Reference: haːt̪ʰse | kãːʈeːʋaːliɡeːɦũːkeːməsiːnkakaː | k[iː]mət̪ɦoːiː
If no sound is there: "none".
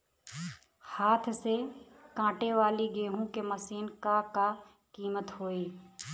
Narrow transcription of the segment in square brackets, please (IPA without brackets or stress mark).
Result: iː